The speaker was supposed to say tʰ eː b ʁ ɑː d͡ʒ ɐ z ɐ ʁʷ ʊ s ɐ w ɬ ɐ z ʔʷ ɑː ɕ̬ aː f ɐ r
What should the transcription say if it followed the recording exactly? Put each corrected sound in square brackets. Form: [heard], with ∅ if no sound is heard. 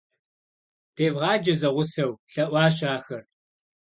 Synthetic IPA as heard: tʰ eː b ʁ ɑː d͡ʒ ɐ z ɐ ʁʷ ʊ s ɐ w ɬ ɐ [∅] ʔʷ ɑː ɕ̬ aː [x] ɐ r